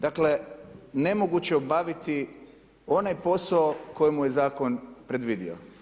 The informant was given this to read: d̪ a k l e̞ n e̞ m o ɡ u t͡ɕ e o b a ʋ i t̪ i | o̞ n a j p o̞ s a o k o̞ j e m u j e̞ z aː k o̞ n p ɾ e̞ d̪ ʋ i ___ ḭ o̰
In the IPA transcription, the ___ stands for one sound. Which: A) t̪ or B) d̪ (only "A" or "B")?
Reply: B